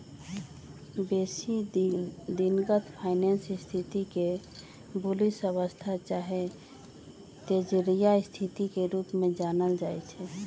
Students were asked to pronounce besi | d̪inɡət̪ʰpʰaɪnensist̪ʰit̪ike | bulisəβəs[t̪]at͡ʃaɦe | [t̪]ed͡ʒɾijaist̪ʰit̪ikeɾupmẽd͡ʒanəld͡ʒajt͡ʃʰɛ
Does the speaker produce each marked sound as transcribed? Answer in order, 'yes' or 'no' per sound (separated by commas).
no, yes